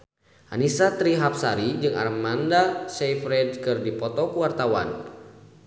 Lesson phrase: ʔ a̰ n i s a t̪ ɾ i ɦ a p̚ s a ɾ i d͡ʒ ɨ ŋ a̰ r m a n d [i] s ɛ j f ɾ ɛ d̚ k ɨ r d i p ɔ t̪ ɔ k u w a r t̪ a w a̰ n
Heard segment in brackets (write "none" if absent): a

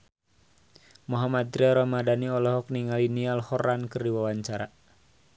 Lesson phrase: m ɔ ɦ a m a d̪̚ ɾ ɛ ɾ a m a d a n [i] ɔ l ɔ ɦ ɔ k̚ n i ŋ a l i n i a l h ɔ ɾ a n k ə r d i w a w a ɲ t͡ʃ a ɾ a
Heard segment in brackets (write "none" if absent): i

